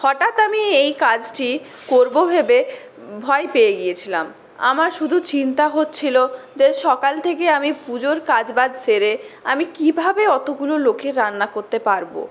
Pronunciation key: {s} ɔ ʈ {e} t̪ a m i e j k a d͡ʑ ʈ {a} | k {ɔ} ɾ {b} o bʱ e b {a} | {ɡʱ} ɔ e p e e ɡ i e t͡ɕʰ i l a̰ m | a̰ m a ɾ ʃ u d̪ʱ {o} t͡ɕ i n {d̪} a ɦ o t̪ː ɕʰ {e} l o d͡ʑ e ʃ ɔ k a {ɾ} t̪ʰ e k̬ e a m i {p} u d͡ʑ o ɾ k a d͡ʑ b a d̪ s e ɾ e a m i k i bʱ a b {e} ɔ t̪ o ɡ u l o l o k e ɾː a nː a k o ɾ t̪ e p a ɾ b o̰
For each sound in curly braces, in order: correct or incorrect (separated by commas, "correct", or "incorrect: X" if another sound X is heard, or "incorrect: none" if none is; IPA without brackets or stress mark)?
incorrect: h, incorrect: a, incorrect: i, incorrect: o, correct, incorrect: e, incorrect: bʱ, incorrect: u, incorrect: t̪, incorrect: i, incorrect: l, correct, correct